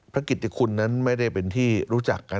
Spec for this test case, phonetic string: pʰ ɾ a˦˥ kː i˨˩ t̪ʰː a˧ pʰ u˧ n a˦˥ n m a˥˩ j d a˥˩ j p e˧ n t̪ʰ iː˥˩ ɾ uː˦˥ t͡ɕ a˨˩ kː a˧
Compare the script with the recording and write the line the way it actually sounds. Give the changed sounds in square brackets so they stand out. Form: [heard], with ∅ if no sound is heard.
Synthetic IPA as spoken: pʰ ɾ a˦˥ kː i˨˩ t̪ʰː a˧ [kʰ] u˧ [nː] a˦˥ n m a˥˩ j d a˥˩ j p e˧ n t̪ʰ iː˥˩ ɾ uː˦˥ t͡ɕ a˨˩ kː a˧